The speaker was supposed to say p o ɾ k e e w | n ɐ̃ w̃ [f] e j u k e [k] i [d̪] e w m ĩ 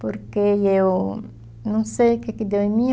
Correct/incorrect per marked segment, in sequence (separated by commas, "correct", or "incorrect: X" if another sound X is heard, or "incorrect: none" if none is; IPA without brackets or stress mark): incorrect: s, correct, correct